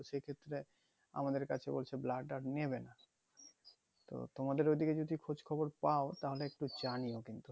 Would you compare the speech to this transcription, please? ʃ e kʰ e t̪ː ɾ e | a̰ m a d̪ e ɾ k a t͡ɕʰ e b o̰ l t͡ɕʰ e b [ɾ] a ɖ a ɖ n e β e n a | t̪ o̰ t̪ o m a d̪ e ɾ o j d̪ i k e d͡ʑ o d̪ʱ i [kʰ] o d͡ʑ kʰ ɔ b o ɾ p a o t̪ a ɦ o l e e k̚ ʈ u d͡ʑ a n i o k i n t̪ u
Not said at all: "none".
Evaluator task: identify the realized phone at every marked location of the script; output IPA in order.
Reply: l, kʰ

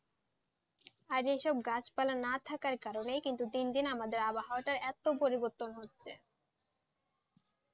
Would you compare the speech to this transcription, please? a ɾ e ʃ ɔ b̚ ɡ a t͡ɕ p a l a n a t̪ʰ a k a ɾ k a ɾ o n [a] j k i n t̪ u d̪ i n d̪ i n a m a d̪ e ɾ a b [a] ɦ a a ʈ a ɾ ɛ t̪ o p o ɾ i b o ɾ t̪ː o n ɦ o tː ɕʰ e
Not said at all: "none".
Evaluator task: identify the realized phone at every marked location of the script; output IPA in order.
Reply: e, a

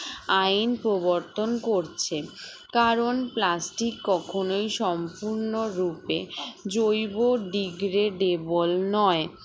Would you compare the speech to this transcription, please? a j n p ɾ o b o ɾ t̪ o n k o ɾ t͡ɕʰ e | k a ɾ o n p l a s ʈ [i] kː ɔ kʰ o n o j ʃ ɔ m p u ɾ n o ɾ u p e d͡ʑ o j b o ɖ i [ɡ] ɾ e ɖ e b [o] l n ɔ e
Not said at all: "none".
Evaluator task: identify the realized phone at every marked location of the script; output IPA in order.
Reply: i, ɡ, o

